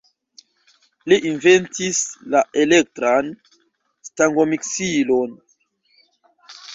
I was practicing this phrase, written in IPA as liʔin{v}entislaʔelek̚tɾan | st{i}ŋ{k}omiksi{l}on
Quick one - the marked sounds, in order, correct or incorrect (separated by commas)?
correct, incorrect, incorrect, correct